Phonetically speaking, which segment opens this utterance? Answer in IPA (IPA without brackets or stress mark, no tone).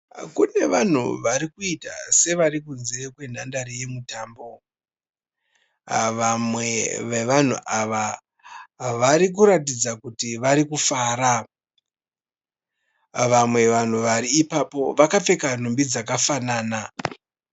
k